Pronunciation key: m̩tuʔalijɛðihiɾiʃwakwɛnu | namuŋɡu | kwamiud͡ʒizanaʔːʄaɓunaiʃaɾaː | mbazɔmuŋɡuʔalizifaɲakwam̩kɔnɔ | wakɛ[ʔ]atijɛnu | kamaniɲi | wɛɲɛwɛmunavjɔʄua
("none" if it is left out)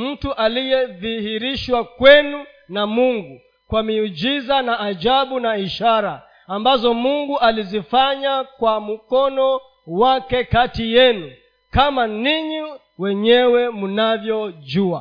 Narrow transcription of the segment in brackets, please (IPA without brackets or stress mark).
k